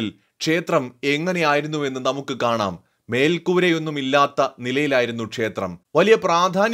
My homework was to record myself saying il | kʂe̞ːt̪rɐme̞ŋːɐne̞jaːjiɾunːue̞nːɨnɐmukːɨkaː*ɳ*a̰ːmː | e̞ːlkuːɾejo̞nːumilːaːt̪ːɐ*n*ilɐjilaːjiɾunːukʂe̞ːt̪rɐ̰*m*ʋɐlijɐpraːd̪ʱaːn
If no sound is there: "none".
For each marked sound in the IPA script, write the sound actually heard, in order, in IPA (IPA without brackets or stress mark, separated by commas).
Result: ɳ, n, m